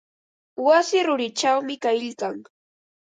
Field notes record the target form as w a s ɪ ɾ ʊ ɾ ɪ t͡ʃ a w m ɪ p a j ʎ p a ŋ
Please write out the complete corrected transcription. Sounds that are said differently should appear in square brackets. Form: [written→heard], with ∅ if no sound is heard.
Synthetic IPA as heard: w a s ɪ ɾ ʊ ɾ ɪ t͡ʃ a w m ɪ [p→k] a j ʎ [p→k] a ŋ